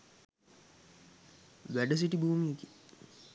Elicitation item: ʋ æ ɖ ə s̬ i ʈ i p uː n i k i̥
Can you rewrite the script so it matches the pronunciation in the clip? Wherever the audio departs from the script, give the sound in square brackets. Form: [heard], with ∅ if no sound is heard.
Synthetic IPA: ʋ æ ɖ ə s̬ i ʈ i [b] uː [m] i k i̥